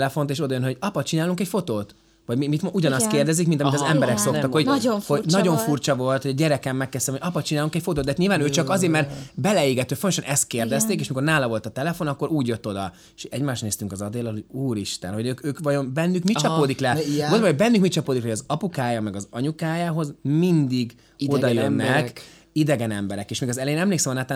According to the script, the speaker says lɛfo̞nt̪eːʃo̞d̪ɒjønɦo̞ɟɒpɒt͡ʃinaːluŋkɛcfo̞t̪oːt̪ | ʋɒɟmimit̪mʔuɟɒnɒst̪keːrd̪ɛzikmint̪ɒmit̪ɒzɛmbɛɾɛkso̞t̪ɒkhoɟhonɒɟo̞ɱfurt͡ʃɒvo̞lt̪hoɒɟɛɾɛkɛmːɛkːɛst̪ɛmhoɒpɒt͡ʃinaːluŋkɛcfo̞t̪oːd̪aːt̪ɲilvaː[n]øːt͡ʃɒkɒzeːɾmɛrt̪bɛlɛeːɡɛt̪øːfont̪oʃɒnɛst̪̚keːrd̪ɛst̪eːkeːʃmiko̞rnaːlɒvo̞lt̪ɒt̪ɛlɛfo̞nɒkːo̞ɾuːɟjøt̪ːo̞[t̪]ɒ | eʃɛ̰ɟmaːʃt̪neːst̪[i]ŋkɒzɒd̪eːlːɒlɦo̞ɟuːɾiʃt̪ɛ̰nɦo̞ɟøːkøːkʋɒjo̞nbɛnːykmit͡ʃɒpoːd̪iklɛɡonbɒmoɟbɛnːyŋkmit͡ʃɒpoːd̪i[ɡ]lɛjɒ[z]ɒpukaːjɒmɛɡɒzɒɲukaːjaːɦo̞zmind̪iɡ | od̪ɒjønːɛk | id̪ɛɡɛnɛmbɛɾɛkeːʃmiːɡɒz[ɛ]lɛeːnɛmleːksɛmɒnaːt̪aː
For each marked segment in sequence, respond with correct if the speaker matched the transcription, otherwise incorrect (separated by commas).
correct, incorrect, incorrect, incorrect, correct, correct